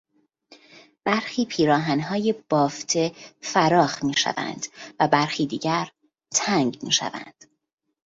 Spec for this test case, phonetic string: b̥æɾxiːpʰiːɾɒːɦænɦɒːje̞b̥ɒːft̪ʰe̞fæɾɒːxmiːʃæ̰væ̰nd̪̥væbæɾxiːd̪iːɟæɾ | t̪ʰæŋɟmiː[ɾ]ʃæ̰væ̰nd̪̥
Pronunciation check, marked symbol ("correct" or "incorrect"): incorrect